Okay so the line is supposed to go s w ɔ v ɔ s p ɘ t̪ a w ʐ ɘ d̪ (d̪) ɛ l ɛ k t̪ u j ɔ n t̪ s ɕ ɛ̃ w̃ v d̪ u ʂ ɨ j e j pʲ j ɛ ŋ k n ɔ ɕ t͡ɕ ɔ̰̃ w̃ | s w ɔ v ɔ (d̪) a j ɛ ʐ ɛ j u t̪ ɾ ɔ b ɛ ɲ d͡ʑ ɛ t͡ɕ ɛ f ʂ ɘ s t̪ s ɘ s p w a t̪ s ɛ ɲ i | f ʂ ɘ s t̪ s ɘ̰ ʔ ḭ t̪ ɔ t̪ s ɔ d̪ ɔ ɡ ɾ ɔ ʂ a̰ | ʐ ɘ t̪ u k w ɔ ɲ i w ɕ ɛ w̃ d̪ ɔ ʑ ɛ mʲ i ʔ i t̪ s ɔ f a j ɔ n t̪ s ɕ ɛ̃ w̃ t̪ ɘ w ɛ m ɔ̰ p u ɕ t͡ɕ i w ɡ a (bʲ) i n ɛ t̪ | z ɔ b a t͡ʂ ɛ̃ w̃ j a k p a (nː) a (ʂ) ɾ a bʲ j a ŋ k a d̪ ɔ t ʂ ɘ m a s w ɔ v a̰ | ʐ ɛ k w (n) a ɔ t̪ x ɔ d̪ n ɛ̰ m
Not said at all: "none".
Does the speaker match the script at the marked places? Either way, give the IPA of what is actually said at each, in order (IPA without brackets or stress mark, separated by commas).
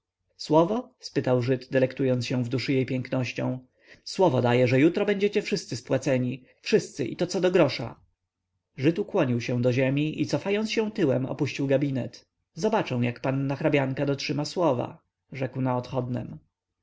d̪, d̪, bʲ, nː, x, n